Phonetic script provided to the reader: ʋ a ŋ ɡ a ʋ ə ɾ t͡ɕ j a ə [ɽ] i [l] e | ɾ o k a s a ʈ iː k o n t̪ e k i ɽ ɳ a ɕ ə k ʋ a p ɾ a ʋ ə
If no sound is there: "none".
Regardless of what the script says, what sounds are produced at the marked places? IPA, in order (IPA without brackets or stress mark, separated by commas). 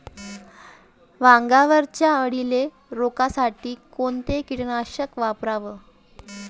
ɽ, l